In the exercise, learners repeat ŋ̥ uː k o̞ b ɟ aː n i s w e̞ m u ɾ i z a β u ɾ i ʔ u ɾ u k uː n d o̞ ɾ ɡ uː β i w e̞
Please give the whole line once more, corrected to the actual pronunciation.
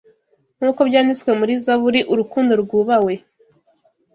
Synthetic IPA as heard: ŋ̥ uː k o̞ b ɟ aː n i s w e̞ m u ɾ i z a β u ɾ i ʔ u ɾ u k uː n d o̞ ɾ ɡ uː β a w e̞